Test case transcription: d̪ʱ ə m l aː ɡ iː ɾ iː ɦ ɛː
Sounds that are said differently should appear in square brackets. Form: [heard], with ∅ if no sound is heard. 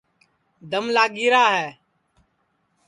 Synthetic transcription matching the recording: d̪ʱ ə m l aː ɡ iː ɾ [aː] ɦ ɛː